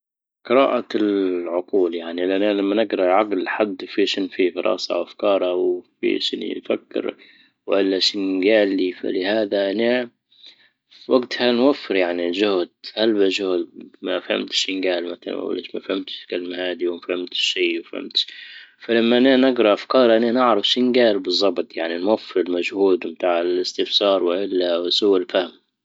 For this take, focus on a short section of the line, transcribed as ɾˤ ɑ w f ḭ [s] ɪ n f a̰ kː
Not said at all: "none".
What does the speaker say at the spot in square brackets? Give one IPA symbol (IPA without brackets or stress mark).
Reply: ʃ